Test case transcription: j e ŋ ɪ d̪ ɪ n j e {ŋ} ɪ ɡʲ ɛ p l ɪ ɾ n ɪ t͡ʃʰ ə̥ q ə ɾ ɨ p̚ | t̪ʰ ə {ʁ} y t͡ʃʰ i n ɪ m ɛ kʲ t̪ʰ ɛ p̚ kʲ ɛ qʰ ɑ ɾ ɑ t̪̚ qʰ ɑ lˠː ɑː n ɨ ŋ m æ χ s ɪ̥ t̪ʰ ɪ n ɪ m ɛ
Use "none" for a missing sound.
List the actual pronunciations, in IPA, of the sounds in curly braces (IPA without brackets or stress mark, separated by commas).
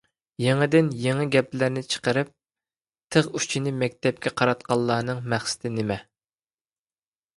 ŋ, ʁ